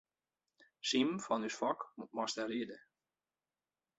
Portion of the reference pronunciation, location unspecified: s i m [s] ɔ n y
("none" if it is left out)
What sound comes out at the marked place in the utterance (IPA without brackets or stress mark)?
f